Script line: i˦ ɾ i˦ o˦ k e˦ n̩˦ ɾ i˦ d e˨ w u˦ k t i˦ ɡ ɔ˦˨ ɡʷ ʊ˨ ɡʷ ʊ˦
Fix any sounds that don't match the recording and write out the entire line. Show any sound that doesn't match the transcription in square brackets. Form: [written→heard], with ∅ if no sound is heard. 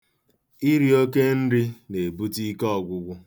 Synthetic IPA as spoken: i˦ ɾ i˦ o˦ k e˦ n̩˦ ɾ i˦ [d→n] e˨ [w→b] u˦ [k→∅] t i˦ [ɡ→k] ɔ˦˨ ɡʷ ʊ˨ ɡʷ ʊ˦